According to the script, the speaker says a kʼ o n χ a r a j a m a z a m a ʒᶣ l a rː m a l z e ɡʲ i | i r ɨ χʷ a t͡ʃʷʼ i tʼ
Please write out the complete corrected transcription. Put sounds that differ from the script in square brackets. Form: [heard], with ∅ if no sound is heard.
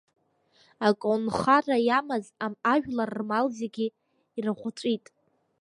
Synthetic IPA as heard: a kʼ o n χ a r a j a m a z a m a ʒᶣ l a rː m a l z e ɡʲ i | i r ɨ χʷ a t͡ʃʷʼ i tʼ